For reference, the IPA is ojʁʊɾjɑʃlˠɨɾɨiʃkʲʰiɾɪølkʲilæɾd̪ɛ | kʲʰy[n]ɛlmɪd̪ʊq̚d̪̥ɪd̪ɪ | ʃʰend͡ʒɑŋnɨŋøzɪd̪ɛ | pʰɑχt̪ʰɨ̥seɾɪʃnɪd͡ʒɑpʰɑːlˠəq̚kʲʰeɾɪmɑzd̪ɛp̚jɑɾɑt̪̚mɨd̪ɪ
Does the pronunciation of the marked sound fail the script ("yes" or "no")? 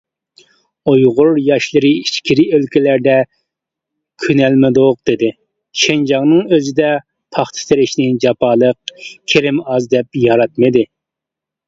no